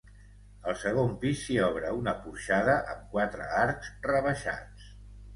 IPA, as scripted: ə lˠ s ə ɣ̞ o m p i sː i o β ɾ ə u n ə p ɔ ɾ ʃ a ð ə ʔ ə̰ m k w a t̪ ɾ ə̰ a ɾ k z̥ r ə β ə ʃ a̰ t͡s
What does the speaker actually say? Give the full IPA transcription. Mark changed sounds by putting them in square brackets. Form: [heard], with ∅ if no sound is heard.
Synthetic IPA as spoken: ə lˠ s ə ɣ̞ o m p i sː i [ɔ] β ɾ ə u n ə p [u] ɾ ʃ a ð ə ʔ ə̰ m k w a t̪ ɾ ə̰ a ɾ k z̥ r ə β ə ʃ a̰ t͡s